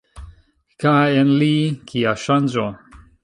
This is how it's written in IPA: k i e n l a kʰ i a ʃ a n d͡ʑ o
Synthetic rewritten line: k a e n l i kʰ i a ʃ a n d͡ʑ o